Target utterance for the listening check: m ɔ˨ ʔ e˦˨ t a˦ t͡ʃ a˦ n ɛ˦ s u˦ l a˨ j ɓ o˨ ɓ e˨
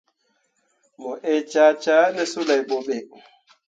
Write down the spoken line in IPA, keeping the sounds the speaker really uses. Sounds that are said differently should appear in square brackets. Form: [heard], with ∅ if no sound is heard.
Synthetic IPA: m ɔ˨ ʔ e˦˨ [t͡ʃ] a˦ t͡ʃ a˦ n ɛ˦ s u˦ l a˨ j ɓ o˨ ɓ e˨

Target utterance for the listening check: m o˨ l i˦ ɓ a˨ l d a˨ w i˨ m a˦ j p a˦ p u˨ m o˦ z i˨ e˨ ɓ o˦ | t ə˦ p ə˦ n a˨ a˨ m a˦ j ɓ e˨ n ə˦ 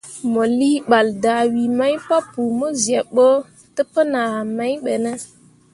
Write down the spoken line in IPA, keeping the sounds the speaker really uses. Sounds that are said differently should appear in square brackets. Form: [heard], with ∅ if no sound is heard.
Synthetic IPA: m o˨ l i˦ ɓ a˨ l d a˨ w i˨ m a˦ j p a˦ p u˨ m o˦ z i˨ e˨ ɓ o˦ | t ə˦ p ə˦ n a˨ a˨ m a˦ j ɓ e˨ n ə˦

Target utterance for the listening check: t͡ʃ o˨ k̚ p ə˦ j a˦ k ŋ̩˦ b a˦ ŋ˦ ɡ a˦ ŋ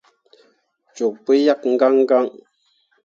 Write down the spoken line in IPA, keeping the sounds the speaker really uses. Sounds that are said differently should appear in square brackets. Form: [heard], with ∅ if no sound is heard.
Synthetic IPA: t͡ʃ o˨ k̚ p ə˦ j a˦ k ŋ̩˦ [ɡ] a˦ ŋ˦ ɡ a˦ ŋ

